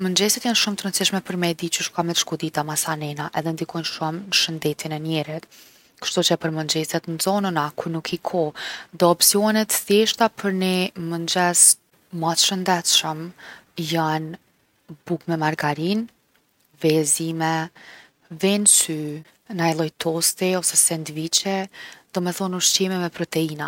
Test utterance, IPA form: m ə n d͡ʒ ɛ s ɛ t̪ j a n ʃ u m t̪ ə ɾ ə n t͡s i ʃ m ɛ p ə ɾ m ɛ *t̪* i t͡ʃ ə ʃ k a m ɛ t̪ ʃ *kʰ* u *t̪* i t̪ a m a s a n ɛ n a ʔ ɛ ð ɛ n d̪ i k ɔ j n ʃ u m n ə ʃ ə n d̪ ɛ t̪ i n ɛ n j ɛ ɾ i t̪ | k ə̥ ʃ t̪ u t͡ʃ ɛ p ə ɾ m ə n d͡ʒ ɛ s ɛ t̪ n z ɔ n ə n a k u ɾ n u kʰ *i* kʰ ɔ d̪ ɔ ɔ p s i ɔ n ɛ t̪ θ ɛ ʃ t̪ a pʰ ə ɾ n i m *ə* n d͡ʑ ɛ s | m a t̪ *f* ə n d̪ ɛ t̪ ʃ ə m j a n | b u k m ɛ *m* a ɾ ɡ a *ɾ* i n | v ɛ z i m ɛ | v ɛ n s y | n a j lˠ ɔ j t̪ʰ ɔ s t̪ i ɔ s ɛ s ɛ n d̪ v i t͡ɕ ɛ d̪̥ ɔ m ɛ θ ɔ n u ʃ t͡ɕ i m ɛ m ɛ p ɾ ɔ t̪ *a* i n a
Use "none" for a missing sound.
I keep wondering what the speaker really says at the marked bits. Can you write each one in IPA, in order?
d̪, k, d̪, i, ə, ʃ, m, ɾ, ɛ

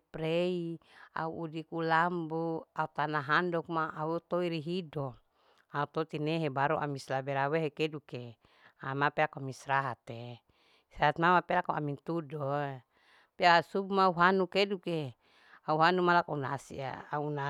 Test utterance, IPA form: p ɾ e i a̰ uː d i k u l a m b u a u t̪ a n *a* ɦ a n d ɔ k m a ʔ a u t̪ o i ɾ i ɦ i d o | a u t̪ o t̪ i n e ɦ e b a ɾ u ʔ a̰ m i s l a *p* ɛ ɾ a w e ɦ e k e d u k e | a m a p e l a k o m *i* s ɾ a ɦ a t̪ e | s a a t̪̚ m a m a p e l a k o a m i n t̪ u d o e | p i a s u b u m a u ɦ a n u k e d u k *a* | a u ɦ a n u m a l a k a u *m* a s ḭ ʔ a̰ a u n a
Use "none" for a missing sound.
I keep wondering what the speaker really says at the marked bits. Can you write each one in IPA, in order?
a, b, i, e, n

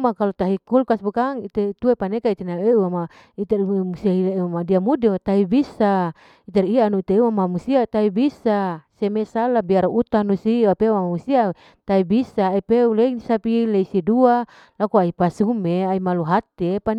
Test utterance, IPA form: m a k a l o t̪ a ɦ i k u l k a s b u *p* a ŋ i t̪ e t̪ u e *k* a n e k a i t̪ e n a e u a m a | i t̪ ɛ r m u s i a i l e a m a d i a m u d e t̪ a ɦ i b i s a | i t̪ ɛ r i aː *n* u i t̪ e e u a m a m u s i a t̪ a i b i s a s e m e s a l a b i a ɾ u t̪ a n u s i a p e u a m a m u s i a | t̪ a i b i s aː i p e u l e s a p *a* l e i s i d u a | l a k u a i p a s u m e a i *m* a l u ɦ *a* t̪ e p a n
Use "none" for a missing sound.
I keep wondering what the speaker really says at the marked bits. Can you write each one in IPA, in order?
k, p, n, i, m, a

